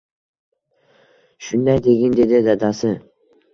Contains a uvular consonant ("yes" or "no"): no